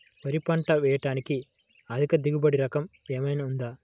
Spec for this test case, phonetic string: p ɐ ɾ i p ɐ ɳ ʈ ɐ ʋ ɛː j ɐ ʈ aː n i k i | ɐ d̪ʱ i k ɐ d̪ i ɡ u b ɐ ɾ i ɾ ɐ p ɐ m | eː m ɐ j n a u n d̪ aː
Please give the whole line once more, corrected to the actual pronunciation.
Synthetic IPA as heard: p ɐ ɾ i p ɐ ɳ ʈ ɐ ʋ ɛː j ɐ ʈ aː n i k i | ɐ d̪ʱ i k ɐ d̪ i ɡ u b ɐ ɽ i ɾ ɐ k ɐ m | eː m ɐ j n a u n d̪ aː